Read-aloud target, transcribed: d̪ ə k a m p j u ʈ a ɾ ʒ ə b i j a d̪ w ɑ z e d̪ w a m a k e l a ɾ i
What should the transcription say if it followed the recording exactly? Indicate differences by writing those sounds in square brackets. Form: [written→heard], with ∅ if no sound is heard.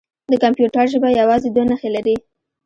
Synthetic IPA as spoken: d̪ ə k a m p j u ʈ a ɾ ʒ ə b [i→a] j a [d̪→∅] w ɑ z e d̪ w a [m→n] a [k→x] e l a ɾ i